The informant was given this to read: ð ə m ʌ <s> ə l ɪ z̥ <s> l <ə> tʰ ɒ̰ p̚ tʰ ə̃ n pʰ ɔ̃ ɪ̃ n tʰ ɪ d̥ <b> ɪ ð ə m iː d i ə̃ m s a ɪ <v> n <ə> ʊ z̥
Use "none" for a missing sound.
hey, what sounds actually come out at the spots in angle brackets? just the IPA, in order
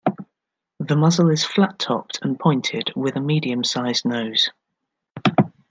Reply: z, f, a, w, z, ə

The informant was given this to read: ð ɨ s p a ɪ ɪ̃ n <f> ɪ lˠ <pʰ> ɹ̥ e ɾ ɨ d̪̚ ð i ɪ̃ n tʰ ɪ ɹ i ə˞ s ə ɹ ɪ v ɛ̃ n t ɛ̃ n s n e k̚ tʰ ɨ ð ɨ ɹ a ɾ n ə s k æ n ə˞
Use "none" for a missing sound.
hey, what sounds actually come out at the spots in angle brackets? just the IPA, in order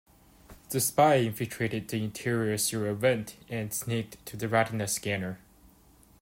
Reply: f, tʰ

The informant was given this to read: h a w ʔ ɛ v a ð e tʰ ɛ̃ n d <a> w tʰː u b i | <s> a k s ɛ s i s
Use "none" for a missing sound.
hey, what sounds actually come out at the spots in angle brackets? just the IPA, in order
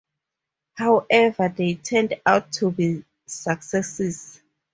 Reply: a, s

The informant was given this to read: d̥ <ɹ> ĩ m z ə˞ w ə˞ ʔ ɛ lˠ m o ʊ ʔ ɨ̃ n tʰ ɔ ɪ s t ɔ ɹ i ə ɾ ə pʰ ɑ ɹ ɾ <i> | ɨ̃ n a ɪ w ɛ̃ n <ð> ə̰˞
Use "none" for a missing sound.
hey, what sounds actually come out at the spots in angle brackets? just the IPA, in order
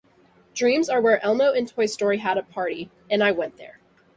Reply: ɹ, i, ð

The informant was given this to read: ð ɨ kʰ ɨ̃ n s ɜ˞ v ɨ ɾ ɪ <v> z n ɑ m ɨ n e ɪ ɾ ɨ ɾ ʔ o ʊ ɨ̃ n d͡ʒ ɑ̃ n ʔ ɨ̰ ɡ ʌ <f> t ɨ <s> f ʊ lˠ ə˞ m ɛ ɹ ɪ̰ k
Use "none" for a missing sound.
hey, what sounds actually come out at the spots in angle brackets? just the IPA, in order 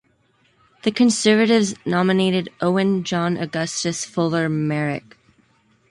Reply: v, s, s

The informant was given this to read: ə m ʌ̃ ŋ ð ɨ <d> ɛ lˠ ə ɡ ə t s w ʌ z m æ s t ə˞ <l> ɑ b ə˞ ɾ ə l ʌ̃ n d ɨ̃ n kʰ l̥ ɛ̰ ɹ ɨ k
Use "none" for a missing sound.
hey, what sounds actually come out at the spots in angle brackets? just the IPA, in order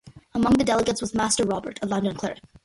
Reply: d, ɹ

